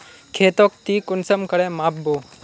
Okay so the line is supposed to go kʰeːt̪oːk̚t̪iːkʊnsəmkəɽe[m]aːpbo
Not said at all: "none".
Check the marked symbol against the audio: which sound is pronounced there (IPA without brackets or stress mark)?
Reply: m